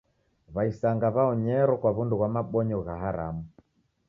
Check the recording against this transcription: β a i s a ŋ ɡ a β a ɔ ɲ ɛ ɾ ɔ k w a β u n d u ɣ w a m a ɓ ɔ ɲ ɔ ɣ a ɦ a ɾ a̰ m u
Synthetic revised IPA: β a i s a ŋ ɡ a β a ɔ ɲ ɛ ɾ ɔ k w a β u n d u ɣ w a m a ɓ ɔ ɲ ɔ ɣ a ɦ a ɾ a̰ m u